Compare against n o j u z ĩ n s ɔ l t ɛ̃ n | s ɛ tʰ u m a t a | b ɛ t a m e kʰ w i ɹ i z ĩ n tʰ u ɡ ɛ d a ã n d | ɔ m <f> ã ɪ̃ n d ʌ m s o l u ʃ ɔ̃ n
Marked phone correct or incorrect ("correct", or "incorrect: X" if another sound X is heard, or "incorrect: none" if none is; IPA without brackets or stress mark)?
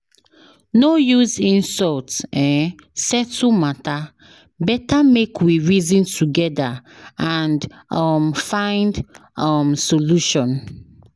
correct